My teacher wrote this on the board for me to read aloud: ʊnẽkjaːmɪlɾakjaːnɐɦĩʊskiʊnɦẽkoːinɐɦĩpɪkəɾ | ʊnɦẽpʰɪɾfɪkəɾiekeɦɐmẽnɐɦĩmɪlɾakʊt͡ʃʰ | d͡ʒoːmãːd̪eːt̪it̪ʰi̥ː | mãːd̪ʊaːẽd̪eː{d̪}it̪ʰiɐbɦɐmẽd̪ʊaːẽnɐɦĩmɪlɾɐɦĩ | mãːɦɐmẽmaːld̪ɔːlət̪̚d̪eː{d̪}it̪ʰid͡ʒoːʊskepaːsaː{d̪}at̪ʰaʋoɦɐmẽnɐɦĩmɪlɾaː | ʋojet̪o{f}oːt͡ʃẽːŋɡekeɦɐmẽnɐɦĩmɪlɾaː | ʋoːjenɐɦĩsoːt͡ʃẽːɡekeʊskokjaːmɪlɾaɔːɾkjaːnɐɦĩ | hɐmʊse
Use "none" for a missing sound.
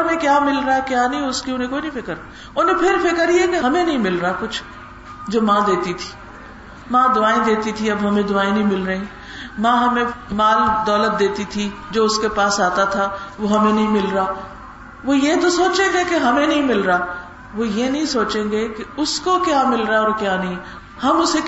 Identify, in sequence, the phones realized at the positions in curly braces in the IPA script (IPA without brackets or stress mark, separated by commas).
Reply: t̪, t̪, t̪, s